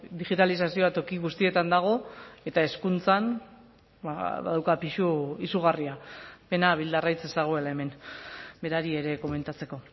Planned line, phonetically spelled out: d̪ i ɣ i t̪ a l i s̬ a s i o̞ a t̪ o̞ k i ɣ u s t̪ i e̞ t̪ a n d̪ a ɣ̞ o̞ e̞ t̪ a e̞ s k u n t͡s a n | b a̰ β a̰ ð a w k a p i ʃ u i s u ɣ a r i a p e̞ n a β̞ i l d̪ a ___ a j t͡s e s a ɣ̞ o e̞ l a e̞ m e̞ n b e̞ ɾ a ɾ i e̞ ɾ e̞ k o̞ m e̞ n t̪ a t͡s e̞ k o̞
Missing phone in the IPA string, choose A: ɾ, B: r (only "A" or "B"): B